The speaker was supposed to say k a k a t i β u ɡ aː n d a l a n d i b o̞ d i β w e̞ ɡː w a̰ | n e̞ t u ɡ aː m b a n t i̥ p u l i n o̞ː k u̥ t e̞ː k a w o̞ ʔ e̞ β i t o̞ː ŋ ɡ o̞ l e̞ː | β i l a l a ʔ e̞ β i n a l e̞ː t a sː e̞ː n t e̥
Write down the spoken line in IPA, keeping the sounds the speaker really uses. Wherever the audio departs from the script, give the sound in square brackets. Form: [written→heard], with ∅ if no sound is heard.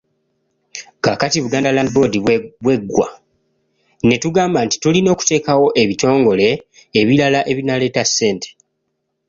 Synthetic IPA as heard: k a k a t i β u ɡ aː n d a l a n d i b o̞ d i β w e̞ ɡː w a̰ | n e̞ t u ɡ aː m b a n t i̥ [p→t] u l i n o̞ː k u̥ t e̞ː k a w o̞ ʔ e̞ β i t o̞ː ŋ ɡ o̞ l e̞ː | β i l a l a ʔ e̞ β i n a l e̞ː t a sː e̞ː n t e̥

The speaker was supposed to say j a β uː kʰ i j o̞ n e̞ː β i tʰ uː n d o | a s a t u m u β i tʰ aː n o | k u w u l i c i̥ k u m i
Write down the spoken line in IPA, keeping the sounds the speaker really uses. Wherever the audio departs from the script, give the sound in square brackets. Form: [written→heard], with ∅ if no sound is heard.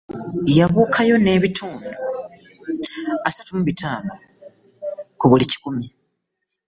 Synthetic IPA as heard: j a β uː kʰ [i→a] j o̞ n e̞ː β i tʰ uː n d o | a s a t u m u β i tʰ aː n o | k u [w→β] u l i c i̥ k u m i

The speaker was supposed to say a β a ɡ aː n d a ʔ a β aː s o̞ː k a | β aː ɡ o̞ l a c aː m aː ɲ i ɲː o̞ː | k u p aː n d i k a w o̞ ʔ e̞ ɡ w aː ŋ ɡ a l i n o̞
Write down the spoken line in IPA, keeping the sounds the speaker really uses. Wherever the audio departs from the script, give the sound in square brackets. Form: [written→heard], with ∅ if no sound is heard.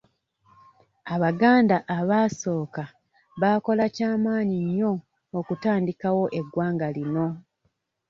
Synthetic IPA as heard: a β a ɡ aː n d a ʔ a β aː s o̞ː k a | β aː [ɡ→k] o̞ l a c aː m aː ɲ i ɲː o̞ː | k u [p→t] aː n d i k a w o̞ ʔ e̞ ɡ w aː ŋ ɡ a l i n o̞

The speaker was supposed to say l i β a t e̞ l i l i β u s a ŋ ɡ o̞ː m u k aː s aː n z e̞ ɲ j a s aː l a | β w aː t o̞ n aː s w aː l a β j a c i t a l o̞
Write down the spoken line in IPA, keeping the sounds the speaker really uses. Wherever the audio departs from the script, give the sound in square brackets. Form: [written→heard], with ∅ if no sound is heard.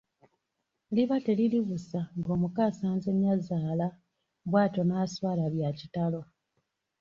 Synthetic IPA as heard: l i β a t e̞ l i l i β u s a ŋ ɡ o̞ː m u k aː s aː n z e̞ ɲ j a [s→z] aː l a | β w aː t o̞ n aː s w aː l a β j a c i t a l o̞

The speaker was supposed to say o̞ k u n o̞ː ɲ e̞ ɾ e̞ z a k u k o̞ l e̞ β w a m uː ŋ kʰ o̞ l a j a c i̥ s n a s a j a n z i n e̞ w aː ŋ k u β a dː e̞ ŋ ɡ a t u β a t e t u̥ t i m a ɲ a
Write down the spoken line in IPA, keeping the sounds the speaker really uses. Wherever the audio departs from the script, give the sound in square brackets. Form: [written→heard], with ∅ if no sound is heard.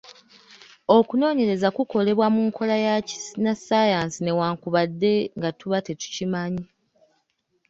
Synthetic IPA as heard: o̞ k u n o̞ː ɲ e̞ ɾ e̞ z a k u k o̞ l e̞ β w a m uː ŋ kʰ o̞ l a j a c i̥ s n a s a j a n [z→s] i n e̞ w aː ŋ k u β a dː e̞ ŋ ɡ a t u β a t e t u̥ [t→c] i m a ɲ [a→i]

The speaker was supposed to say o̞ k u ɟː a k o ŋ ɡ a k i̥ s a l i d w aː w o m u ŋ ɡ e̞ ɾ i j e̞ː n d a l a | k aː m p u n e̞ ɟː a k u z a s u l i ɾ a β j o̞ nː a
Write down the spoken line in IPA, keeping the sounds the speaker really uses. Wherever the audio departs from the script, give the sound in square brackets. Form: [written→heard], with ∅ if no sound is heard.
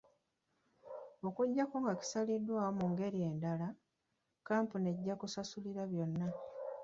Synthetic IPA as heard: o̞ k u ɟː a k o ŋ ɡ a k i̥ s a l i d w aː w o m u ŋ ɡ e̞ ɾ i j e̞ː n d a l a | k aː m p u n e̞ ɟː a k u [z→s] a s u l i ɾ a β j o̞ nː a

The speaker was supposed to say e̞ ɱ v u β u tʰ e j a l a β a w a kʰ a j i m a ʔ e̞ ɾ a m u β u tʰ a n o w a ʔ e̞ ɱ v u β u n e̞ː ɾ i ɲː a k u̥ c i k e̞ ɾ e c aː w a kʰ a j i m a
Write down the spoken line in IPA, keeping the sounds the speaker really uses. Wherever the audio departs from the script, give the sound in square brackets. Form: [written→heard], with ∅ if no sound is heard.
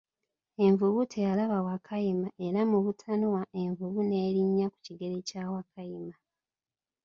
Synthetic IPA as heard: e̞ ɱ v u β u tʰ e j a l a β a w a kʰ a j i m a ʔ e̞ ɾ a m u β u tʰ a n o w a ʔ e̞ ɱ v u β u n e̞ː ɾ i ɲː a k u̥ c i [k→ɡ] e̞ ɾ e c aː w a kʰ a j i m a

